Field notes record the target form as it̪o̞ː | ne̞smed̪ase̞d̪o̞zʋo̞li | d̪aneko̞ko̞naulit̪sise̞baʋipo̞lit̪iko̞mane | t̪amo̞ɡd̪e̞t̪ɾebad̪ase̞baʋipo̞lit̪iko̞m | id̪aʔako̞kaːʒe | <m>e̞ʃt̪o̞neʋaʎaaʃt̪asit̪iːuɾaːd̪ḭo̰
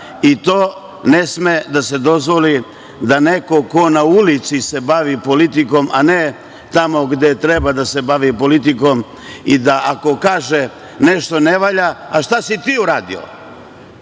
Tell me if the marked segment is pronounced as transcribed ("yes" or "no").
no